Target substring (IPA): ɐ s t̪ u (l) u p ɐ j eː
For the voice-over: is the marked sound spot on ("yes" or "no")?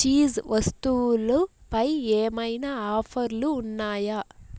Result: yes